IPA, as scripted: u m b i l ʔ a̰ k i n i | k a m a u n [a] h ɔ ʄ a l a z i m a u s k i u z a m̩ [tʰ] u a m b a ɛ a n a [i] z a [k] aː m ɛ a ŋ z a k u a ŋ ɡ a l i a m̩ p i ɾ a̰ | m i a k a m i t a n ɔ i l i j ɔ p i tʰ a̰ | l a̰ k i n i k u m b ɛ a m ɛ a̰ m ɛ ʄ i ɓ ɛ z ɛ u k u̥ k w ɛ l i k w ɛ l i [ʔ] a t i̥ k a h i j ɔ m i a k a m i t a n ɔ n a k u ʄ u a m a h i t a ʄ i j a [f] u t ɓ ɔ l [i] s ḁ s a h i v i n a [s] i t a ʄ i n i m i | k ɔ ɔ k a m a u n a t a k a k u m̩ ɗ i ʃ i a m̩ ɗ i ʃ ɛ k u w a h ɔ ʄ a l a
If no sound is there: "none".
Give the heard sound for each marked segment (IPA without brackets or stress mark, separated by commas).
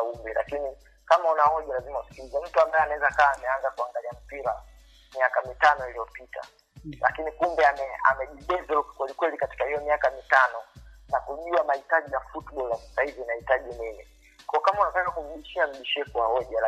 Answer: a, t, ɛ, k, k, f, a, h